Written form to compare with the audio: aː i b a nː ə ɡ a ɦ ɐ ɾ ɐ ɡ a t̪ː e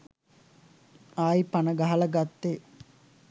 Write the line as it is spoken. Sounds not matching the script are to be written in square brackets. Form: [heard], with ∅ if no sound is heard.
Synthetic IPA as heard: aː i [p] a [n] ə ɡ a ɦ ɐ [l] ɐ ɡ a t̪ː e